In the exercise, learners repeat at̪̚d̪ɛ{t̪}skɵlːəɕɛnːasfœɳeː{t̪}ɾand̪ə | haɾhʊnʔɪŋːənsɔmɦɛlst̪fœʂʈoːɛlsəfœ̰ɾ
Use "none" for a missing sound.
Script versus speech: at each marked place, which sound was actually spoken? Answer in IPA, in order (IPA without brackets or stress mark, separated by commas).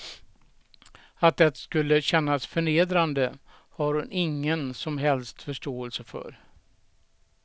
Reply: t̪, d̪